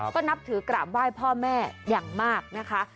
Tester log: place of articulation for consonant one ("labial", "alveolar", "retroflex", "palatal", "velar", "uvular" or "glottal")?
velar